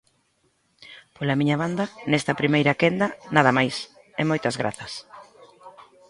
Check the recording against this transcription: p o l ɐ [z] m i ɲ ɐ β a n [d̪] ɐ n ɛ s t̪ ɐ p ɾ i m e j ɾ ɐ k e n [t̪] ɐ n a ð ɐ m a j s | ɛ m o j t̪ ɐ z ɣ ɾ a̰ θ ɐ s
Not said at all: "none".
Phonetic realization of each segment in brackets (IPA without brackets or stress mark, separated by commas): none, d̪, d̪